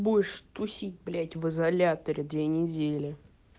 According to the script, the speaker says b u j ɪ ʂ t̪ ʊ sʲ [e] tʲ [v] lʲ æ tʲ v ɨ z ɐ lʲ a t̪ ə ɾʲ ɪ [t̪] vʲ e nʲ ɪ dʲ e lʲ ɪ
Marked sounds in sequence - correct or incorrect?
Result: incorrect: i, incorrect: b, incorrect: d̪

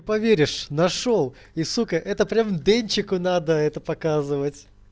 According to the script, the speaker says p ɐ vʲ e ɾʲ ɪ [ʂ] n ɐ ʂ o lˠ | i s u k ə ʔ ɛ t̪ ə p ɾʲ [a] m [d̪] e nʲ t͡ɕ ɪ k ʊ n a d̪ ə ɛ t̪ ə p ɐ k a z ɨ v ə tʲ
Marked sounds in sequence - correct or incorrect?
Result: correct, correct, correct

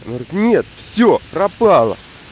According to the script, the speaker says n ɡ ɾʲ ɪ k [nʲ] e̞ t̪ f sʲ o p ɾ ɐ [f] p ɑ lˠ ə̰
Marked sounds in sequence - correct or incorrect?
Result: correct, incorrect: none

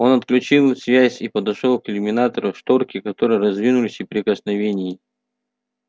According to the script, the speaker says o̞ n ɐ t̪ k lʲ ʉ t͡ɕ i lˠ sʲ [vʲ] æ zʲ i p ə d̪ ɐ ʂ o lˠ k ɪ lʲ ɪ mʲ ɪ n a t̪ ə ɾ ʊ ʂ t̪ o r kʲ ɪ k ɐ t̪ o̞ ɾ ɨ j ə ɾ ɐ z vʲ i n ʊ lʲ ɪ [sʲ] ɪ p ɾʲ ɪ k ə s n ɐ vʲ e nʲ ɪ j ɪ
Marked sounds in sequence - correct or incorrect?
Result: correct, correct

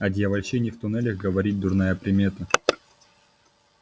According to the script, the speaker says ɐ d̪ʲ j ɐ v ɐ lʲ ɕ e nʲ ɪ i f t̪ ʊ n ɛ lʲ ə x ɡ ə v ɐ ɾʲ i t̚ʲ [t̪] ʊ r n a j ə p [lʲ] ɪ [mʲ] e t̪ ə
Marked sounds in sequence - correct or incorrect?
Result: incorrect: d̪, incorrect: ɾʲ, correct

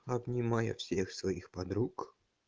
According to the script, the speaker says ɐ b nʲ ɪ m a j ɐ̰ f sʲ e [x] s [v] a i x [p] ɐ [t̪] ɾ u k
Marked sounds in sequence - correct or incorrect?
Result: correct, correct, correct, incorrect: d̪

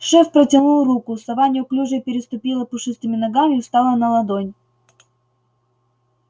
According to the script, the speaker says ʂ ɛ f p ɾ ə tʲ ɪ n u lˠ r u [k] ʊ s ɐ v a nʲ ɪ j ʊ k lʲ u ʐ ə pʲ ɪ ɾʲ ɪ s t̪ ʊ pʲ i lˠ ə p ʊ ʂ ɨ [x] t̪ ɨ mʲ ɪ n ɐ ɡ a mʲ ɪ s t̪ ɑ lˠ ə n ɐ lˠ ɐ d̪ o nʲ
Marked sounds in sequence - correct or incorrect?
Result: correct, incorrect: s

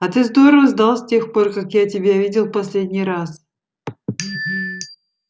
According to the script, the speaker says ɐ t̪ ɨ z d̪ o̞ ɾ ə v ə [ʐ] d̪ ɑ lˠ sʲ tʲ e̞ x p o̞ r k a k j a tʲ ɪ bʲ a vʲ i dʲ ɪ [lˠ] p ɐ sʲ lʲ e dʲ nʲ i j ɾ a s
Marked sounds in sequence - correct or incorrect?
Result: incorrect: z, correct

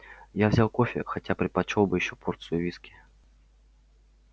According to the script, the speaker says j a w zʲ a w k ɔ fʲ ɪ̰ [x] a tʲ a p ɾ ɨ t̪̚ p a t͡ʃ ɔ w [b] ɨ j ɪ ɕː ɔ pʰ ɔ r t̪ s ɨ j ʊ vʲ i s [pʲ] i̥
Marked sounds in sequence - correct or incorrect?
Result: correct, correct, incorrect: kʲ

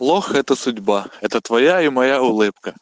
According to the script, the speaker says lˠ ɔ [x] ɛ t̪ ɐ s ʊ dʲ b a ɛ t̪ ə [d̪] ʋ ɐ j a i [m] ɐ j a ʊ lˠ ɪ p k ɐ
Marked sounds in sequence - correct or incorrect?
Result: correct, incorrect: t̪, correct

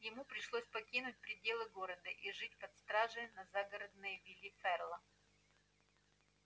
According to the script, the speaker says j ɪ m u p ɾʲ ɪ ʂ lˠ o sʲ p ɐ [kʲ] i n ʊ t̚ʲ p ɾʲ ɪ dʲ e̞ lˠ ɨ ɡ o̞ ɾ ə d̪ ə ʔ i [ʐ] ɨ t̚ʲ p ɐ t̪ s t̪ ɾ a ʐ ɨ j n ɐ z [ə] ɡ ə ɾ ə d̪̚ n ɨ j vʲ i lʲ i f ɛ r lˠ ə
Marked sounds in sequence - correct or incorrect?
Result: correct, correct, incorrect: a

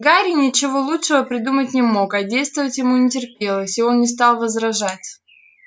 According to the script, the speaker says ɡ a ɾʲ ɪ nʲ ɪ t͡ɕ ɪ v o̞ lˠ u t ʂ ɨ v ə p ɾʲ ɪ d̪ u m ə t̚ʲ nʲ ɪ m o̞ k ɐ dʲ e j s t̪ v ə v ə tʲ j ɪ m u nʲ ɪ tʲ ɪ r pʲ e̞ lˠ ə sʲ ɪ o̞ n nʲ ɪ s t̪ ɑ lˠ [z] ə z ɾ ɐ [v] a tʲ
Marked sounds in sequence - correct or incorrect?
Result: incorrect: v, incorrect: ʐ

